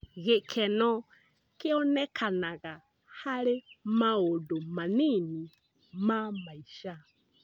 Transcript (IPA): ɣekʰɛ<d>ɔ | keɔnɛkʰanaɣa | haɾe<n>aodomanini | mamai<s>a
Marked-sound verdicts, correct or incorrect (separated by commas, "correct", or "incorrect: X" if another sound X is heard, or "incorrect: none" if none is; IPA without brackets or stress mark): incorrect: n, incorrect: m, incorrect: ʃ